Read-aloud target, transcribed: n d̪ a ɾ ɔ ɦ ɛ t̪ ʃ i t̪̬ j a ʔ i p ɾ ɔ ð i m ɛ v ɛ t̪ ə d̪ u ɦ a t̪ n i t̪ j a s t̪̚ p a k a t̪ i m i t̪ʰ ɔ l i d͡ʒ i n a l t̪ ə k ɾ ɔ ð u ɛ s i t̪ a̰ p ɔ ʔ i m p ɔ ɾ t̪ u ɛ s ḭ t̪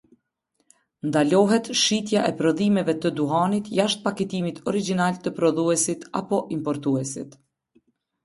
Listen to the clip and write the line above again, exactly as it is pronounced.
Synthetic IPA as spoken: n d̪ a l ɔ ɦ ɛ t̪ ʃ i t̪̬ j a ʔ ɛ p ɾ ɔ ð i m ɛ v ɛ t̪ ə d̪ u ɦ a n i t̪ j a ʃ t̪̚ p a k ɛ t̪ i m i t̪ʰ ɔ ɾ i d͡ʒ i n a l t̪ ə p ɾ ɔ ð u ɛ s i t̪ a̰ p ɔ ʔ i m p ɔ ɾ t̪ u ɛ s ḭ t̪